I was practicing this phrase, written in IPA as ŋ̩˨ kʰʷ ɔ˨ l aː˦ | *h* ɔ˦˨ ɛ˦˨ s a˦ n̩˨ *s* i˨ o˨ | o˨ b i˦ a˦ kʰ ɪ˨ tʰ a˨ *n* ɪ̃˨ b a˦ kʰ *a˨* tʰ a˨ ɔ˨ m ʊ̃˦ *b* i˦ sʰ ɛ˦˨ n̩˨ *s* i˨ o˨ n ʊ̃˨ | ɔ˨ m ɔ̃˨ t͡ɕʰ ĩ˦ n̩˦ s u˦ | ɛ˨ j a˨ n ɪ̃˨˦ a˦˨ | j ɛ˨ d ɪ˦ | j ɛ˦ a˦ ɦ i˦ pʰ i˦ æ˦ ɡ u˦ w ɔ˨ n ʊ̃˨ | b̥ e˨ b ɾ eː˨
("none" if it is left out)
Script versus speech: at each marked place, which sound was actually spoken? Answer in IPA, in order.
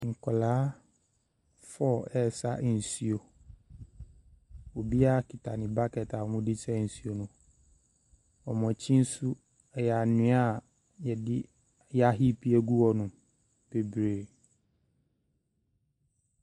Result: f, s, n, ɛ˨, d, s

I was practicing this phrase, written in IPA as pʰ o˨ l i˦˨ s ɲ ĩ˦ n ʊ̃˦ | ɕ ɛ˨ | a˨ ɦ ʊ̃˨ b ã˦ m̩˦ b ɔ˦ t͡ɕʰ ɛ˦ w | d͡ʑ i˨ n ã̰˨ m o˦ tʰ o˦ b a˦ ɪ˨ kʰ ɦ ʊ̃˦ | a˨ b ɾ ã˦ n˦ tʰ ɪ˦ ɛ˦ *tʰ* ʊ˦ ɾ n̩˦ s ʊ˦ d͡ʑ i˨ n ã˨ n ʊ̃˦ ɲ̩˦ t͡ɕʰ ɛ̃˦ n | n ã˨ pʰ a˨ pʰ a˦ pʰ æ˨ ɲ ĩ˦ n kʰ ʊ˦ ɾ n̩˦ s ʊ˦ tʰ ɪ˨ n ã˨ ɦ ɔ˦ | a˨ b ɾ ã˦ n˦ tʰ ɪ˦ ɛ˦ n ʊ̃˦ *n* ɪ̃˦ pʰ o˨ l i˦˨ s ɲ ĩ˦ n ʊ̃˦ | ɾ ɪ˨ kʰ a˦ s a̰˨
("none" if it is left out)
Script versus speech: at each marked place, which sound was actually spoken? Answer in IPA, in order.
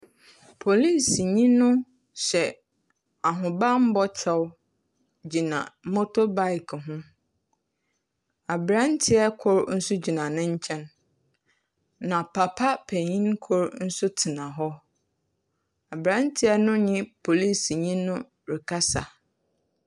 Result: kʰ, ɲ

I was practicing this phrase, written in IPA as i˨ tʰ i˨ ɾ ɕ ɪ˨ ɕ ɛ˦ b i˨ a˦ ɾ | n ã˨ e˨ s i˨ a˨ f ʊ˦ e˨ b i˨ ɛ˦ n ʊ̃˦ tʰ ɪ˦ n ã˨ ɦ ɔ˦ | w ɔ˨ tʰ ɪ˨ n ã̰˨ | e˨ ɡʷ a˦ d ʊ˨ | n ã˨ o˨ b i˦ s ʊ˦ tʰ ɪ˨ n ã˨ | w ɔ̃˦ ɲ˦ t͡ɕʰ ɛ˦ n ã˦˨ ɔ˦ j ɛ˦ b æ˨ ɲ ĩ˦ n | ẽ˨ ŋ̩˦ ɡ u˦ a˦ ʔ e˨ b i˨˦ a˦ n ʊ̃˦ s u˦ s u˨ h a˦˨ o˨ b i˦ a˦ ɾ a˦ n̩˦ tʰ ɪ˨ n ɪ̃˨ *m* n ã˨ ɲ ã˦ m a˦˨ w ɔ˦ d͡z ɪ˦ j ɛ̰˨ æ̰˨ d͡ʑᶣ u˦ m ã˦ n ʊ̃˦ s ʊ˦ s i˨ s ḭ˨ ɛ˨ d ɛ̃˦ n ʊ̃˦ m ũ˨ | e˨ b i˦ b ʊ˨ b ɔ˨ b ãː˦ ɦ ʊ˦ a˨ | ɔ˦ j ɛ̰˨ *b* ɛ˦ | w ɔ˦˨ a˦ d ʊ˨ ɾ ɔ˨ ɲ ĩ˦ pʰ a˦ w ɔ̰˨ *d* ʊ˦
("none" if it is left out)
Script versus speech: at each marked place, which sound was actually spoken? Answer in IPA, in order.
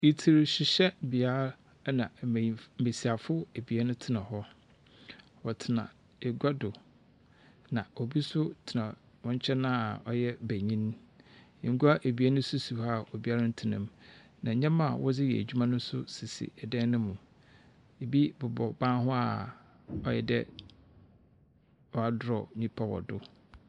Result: m, d, d

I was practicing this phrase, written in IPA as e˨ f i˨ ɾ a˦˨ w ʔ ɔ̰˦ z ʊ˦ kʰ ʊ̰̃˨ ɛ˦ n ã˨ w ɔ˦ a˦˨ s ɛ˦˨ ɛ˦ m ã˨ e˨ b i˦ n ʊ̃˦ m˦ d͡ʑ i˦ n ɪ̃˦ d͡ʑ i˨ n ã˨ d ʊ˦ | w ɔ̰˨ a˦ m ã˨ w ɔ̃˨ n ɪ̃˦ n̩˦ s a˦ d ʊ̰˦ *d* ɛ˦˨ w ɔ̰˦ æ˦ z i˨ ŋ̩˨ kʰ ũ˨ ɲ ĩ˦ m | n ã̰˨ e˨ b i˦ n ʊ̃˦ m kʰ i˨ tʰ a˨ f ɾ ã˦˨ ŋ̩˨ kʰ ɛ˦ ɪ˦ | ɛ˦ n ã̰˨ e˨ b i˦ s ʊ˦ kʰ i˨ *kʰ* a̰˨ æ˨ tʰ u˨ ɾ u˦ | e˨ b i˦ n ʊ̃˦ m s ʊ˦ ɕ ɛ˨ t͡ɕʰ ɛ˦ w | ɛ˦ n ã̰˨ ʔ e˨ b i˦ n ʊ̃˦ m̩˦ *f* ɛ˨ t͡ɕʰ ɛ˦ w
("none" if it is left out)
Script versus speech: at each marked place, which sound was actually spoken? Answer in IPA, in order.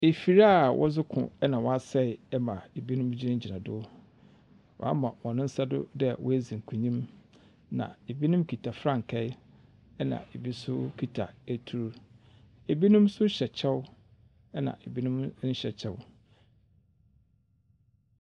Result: d, tʰ, ɕ

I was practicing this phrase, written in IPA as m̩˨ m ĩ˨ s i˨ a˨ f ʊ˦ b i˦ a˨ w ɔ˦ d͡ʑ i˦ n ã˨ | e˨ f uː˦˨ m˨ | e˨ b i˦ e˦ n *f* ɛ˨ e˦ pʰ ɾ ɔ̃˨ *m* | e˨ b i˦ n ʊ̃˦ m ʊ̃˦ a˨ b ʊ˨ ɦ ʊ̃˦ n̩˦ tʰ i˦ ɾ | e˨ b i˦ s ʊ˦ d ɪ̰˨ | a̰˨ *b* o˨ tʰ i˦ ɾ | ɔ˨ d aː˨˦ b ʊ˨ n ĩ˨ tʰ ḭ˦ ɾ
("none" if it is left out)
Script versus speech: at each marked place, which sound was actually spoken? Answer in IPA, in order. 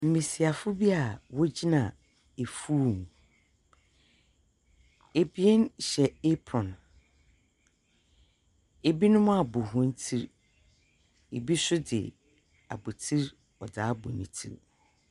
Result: ɕ, n, b

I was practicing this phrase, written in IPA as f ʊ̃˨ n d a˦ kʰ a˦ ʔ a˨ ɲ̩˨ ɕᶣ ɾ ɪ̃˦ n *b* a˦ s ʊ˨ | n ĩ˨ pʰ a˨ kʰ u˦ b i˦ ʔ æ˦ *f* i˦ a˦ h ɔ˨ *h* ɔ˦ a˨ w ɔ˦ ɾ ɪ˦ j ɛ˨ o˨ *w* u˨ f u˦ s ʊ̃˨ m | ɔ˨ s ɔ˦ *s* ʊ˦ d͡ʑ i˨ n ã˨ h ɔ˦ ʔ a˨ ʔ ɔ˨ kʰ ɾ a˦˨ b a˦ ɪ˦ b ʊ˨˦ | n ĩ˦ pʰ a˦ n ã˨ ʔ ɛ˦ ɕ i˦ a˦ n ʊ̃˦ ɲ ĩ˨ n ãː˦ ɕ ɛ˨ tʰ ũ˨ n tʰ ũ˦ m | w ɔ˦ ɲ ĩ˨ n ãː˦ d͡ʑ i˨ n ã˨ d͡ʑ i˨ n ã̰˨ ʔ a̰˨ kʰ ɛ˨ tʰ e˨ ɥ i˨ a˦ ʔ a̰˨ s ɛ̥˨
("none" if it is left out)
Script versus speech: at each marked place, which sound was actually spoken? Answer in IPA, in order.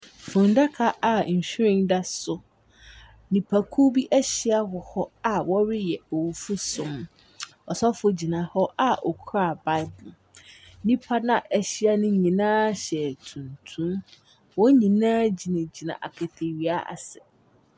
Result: d, ɕ, h, w, f

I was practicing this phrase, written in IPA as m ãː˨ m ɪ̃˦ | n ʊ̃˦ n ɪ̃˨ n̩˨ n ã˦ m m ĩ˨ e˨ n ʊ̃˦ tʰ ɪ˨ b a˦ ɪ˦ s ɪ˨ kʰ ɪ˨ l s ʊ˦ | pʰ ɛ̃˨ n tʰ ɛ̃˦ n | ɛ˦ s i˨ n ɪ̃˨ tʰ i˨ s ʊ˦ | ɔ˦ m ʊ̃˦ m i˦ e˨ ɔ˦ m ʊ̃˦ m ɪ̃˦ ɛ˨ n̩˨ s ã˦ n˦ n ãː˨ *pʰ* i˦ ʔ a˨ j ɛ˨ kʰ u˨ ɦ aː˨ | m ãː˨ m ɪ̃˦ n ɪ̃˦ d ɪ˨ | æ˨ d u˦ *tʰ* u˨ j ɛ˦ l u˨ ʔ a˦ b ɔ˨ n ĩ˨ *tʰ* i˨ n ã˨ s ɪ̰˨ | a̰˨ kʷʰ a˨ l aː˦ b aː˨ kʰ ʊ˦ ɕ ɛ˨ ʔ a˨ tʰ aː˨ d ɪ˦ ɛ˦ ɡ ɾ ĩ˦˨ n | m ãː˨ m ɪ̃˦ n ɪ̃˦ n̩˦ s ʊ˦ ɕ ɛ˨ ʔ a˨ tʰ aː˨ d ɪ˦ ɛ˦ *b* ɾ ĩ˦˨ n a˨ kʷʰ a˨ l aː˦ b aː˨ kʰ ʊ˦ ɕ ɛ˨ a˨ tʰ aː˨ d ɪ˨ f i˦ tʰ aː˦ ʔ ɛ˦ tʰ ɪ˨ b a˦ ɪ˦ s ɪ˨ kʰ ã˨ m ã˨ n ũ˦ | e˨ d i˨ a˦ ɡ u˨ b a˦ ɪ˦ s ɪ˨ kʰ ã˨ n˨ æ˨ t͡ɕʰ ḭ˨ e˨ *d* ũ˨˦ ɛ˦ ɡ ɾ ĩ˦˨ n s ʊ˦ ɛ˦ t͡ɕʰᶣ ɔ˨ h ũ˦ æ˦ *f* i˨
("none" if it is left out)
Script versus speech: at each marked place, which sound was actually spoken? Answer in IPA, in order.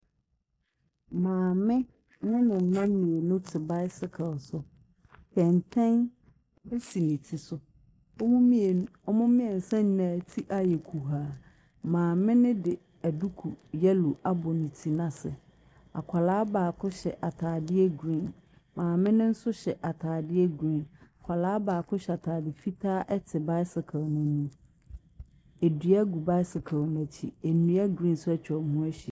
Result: tʰ, kʰ, tʰ, ɡ, n, ɕ

